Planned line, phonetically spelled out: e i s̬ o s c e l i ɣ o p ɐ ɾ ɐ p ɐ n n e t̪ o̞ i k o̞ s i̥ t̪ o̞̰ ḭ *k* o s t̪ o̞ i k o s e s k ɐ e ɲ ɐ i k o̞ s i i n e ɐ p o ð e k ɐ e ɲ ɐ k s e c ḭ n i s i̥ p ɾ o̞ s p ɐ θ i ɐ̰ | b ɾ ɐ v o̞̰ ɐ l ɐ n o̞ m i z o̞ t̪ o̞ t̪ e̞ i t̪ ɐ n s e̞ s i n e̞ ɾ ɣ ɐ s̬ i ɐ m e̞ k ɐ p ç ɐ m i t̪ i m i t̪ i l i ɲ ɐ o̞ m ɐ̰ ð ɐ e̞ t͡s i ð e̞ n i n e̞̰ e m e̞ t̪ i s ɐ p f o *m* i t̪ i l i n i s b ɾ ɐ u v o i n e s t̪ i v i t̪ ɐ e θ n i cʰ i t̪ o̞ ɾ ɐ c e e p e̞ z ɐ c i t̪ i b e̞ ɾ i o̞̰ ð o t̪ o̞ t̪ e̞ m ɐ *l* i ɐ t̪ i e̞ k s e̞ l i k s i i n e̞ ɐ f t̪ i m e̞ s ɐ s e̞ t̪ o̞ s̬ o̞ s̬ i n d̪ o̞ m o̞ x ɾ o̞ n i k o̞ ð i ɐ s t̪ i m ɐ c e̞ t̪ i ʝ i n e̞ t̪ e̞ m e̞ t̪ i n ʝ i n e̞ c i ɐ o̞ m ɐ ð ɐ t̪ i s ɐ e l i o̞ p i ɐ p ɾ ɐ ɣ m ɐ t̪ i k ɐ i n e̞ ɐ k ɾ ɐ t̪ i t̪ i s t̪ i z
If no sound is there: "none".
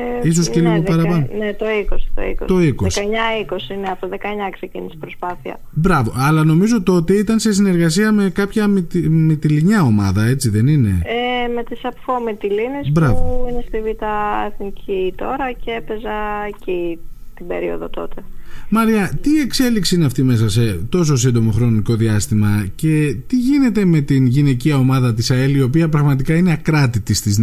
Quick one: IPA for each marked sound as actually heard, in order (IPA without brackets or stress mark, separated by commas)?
k, m, ɾ